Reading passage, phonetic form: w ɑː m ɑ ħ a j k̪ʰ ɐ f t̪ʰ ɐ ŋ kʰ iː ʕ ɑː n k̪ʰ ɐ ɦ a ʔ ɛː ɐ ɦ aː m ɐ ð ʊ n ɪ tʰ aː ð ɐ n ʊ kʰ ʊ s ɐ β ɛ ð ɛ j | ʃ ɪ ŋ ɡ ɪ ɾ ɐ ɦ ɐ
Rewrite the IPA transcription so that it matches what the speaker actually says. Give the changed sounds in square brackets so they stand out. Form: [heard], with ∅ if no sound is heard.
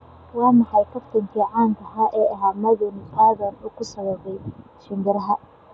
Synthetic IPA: w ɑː m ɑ ħ [ɑ] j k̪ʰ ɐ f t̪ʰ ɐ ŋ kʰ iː ʕ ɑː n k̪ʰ ɐ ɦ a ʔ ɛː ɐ ɦ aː m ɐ ð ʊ n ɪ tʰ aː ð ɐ n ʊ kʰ ʊ s ɐ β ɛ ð ɛ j | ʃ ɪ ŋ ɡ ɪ ɾ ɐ ɦ ɐ